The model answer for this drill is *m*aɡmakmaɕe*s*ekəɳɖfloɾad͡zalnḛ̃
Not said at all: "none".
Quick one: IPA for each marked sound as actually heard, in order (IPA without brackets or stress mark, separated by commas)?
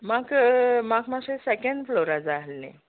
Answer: m, s